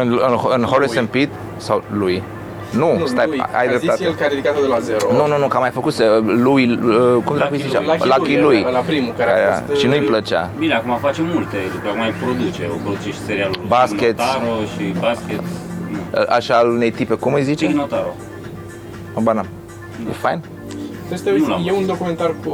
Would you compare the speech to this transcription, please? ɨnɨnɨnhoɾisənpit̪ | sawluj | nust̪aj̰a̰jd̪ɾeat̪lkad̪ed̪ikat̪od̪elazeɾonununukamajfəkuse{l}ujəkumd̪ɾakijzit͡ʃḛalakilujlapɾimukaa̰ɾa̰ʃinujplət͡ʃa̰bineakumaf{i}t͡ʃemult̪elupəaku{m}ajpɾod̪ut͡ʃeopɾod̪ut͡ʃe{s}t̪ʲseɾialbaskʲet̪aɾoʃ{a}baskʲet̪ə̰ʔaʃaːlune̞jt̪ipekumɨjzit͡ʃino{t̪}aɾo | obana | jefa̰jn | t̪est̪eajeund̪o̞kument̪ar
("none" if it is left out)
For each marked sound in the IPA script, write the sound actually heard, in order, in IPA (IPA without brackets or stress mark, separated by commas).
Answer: l, a, m, ʃ, i, t̪